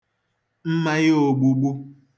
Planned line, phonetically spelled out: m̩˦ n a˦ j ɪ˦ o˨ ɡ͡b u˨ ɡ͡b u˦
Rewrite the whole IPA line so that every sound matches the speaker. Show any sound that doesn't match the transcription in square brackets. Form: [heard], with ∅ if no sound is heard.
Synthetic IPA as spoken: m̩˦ [m] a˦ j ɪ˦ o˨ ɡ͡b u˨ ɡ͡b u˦